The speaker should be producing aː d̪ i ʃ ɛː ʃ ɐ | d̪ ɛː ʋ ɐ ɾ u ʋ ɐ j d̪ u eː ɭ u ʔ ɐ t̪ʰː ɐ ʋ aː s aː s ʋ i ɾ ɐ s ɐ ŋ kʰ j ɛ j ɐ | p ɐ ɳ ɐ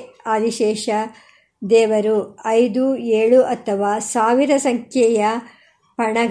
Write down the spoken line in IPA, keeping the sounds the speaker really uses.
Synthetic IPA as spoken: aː d̪ i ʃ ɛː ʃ ɐ | d̪ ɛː ʋ ɐ ɾ u ɐ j d̪ u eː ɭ u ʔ ɐ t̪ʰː ɐ ʋ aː s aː ʋ i ɾ ɐ s ɐ ŋ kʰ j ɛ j ɐ | p ɐ ɳ ɐ